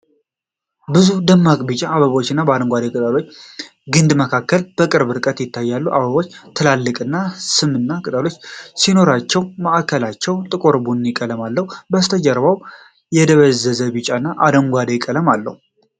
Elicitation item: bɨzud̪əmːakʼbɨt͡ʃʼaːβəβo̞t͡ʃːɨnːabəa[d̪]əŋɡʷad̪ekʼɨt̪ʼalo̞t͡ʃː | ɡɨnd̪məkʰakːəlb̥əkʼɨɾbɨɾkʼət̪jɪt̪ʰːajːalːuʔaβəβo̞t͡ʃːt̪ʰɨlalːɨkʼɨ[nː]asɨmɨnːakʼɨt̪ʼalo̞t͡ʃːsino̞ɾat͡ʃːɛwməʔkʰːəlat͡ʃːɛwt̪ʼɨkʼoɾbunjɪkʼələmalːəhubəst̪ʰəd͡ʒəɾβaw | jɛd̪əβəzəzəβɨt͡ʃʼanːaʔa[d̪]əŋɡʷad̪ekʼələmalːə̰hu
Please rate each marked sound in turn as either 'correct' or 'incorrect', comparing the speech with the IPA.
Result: correct, correct, correct

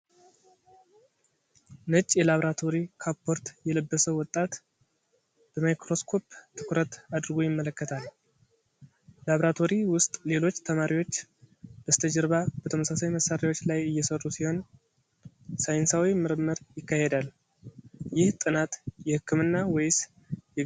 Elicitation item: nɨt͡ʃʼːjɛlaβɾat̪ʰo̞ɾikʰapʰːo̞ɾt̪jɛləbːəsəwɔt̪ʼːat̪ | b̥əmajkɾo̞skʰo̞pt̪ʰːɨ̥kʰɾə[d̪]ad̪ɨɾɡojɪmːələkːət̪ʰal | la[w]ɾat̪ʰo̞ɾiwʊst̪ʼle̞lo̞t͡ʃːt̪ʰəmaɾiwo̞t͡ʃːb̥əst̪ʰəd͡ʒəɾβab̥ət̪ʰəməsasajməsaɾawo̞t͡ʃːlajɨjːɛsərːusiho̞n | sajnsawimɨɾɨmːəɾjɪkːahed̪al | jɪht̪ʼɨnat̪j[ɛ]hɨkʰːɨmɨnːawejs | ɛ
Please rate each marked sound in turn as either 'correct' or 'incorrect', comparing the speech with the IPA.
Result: incorrect: t̪, incorrect: β, correct

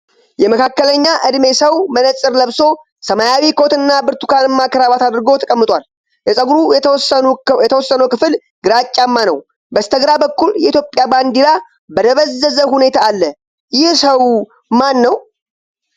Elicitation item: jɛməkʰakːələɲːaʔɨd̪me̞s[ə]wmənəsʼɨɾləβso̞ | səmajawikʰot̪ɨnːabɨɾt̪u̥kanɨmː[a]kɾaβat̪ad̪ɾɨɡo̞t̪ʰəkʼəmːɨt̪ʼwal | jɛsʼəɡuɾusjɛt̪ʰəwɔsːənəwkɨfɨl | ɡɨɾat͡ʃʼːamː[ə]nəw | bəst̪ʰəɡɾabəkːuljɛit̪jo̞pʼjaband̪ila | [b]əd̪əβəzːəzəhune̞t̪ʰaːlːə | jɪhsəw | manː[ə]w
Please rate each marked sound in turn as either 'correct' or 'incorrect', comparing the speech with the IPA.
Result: correct, correct, incorrect: a, correct, correct

